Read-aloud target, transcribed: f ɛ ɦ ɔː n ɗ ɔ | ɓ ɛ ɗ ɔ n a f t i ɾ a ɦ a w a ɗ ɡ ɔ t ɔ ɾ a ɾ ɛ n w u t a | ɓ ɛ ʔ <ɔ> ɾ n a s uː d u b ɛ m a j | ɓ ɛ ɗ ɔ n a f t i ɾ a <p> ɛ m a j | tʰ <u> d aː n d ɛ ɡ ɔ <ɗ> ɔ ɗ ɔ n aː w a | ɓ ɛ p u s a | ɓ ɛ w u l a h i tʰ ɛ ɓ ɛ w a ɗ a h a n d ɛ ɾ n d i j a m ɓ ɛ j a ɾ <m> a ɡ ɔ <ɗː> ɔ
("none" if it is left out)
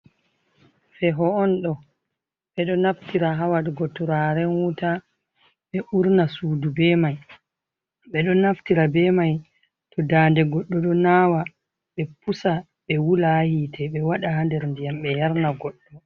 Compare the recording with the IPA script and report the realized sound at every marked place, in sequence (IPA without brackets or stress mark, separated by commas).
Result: u, b, ɔ, ɗː, n, ɗː